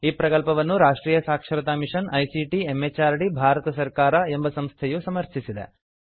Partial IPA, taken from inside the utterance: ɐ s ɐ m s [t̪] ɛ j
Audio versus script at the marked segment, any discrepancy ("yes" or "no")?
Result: yes